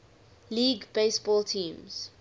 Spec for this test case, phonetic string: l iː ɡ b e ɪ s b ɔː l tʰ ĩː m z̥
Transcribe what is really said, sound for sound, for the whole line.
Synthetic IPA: l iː ɡ b e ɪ s b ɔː l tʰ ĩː m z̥